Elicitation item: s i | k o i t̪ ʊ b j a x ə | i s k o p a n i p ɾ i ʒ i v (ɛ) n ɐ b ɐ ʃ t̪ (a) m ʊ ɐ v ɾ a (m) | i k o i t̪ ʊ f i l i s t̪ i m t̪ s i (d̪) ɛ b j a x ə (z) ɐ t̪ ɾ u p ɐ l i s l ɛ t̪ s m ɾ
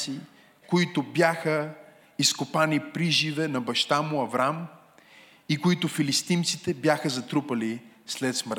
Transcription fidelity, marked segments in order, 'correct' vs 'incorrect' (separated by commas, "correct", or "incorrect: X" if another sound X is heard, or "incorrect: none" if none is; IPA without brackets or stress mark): correct, correct, correct, incorrect: t̪, correct